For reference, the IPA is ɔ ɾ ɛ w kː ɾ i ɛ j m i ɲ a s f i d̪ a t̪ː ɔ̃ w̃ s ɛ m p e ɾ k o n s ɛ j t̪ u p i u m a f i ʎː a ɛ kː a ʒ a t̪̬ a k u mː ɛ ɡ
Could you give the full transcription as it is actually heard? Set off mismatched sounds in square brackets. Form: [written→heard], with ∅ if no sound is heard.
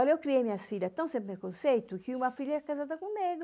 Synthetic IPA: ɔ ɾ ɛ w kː ɾ i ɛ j m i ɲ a s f i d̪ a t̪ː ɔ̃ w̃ s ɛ m p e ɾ k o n s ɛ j t̪ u [p→k] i u m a f i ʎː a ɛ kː a [ʒ→z] a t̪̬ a k u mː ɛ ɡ